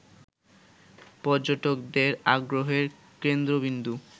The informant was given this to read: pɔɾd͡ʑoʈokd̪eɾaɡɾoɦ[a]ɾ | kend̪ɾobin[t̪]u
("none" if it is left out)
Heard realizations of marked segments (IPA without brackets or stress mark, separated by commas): e, d̪